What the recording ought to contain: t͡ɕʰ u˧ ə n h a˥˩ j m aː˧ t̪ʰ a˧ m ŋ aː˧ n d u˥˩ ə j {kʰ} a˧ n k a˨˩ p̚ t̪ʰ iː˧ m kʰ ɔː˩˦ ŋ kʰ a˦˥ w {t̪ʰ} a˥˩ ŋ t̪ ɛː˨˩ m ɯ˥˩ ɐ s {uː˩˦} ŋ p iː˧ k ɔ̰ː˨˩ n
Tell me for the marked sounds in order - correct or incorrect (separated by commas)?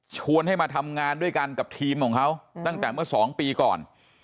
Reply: incorrect, incorrect, incorrect